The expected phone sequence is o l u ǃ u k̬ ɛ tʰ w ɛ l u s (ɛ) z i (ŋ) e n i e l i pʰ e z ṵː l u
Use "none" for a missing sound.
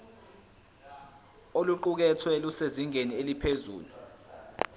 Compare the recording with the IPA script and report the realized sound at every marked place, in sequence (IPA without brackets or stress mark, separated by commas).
e, ŋ